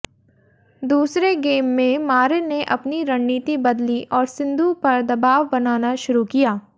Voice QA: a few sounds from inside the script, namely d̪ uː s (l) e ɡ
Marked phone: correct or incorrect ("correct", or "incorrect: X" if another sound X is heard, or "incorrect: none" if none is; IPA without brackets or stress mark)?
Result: incorrect: ɾ